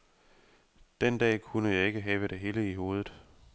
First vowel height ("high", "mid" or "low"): mid